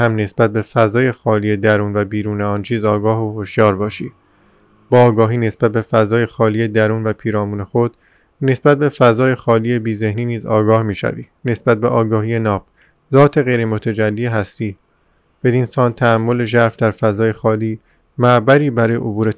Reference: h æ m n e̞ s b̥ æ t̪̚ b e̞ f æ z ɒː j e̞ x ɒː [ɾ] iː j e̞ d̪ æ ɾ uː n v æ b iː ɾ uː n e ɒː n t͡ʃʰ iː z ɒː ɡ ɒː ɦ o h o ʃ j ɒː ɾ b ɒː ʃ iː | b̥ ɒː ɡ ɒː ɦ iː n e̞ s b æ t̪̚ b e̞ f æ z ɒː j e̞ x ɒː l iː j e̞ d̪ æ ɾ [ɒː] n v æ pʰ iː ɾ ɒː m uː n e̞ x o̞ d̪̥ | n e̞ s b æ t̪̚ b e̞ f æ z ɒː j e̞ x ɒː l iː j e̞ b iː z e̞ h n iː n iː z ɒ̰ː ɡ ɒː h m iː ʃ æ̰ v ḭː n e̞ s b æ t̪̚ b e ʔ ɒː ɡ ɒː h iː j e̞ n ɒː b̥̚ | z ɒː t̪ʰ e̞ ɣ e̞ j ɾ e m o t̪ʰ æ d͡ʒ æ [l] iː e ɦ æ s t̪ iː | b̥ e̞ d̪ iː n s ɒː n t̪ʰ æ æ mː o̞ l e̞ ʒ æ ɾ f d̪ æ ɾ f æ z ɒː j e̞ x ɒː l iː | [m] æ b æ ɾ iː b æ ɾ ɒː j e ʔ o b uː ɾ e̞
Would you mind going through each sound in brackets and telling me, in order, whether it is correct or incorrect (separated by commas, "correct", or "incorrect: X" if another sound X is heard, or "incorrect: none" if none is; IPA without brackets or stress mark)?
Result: incorrect: l, incorrect: uː, incorrect: lː, correct